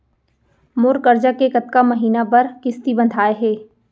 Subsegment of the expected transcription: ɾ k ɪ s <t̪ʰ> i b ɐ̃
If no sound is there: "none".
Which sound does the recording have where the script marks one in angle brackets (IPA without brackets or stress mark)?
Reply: t̪